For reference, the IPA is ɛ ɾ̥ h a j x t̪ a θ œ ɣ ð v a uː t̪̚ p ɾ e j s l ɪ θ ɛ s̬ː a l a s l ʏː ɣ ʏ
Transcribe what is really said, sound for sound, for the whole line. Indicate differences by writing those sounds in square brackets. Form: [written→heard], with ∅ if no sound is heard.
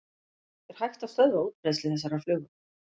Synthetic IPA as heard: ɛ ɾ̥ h a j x t̪ a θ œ [ɣ→∅] ð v a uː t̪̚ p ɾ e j s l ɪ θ ɛ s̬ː a [l→ɾ] a [s→f] l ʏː ɣ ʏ